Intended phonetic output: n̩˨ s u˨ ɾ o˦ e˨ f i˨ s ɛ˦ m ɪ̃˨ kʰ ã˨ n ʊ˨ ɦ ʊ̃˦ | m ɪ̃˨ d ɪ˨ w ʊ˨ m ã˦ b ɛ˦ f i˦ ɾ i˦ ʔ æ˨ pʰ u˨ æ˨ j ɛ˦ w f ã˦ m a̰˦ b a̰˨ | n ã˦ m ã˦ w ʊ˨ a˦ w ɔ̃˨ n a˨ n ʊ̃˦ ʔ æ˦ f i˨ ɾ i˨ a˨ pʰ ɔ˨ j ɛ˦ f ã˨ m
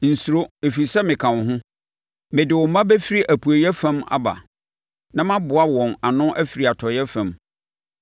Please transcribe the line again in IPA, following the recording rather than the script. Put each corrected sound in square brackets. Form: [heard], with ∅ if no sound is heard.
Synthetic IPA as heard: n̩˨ s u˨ ɾ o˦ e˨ f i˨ s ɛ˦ m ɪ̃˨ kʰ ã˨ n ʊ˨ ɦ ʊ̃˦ | m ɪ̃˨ d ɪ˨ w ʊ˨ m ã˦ b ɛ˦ f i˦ ɾ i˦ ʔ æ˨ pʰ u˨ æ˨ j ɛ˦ [∅] f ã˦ m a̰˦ b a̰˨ | n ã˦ m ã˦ [b] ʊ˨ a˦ w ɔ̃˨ n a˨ n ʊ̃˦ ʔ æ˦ f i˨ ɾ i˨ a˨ [tʰ] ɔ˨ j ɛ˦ f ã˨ m